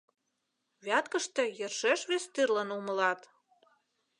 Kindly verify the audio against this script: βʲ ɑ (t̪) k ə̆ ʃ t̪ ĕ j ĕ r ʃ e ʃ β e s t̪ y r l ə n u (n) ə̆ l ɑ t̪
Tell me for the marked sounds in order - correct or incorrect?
correct, incorrect: m

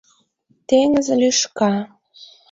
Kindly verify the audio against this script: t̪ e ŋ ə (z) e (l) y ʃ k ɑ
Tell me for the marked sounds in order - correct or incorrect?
correct, correct

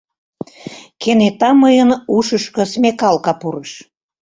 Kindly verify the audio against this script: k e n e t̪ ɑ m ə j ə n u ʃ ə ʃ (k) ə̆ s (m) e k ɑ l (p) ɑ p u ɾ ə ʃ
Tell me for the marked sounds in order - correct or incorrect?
correct, correct, incorrect: k

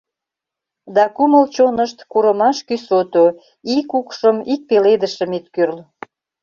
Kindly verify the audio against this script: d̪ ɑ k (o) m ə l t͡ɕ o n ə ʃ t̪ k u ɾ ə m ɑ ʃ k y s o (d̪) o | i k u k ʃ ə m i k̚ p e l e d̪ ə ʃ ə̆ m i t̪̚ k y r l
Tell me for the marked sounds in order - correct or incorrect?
incorrect: u, incorrect: t̪

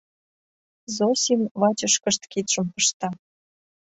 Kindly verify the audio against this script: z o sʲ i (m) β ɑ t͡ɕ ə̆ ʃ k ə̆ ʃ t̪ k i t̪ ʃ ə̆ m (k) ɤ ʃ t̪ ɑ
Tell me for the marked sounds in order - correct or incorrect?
correct, incorrect: p

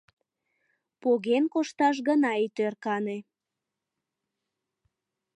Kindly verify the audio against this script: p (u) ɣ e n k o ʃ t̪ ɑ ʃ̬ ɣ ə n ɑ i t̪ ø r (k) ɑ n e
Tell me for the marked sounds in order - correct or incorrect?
incorrect: o, correct

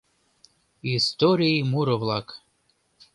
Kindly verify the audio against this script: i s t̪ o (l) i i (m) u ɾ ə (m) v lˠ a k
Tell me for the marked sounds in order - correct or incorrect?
incorrect: ɾ, correct, incorrect: none

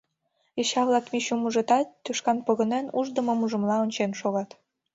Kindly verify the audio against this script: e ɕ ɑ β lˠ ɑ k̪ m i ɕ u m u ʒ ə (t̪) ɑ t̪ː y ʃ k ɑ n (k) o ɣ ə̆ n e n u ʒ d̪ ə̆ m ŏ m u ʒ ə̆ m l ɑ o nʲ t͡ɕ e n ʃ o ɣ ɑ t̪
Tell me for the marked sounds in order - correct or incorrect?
correct, incorrect: p

